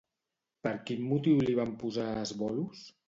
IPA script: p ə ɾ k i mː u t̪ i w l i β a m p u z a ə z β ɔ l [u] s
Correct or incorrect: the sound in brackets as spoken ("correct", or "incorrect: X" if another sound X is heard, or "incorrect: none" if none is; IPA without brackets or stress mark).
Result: correct